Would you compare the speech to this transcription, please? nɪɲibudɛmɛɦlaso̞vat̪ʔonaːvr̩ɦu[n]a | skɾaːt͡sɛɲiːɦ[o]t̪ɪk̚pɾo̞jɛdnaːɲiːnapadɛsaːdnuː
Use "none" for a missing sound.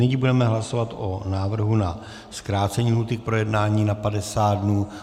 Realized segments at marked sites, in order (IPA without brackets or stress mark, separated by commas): n, u